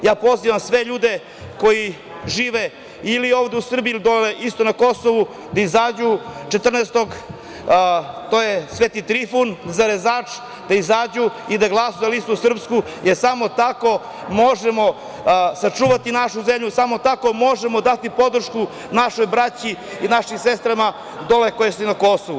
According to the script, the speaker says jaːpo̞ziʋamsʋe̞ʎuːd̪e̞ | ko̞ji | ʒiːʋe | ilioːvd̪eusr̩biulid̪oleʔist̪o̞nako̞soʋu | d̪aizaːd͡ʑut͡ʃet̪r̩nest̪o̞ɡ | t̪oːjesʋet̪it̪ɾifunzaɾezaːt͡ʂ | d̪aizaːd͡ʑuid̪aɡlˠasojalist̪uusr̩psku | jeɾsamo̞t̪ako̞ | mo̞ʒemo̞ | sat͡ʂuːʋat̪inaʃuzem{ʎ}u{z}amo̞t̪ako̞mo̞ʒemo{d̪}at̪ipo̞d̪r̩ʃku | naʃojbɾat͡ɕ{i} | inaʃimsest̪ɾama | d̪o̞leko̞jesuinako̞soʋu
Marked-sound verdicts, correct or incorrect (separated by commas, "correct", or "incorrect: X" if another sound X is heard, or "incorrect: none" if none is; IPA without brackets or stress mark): correct, incorrect: s, correct, correct